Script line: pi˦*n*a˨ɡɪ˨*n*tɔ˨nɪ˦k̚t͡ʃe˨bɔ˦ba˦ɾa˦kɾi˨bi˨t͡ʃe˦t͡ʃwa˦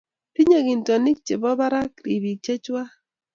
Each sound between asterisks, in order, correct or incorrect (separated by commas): incorrect, correct